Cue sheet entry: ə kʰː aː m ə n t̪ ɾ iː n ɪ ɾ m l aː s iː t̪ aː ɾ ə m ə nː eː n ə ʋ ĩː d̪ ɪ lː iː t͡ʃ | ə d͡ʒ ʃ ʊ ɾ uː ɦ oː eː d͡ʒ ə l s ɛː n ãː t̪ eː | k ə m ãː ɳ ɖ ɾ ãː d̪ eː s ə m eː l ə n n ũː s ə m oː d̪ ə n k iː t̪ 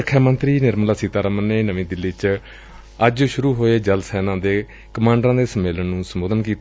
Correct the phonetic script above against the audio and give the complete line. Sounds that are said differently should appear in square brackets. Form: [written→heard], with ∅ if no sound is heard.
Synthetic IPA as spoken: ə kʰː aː m ə n t̪ ɾ iː n ɪ ɾ m l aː s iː t̪ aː ɾ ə m ə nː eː n ə ʋ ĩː d̪ ɪ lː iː t͡ʃ | ə d͡ʒ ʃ ʊ ɾ uː ɦ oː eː d͡ʒ ə l s ɛː n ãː [t̪→d̪] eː | k ə m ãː ɳ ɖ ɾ ãː d̪ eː s ə m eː l ə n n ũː s ə m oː d̪ ə n k iː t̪